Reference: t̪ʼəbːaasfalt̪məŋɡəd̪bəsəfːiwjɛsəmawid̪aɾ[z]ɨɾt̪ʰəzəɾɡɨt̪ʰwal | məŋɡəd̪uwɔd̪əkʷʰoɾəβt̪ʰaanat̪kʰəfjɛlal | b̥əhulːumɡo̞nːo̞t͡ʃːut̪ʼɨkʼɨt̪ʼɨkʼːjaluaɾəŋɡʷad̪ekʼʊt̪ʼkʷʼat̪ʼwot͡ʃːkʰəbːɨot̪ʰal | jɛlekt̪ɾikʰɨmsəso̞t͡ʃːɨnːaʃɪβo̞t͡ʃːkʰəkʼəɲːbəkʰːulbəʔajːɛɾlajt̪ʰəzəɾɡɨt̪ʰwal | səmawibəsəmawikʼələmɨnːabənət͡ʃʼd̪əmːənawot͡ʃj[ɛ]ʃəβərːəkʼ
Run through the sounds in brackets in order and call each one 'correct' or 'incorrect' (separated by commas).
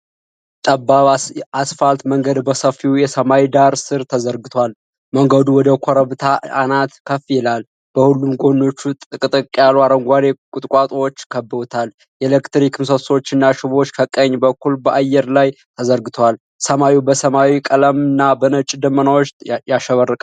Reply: incorrect, incorrect